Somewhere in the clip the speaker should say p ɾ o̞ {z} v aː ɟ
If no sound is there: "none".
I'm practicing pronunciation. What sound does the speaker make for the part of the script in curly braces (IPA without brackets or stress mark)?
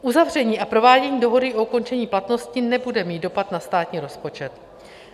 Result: none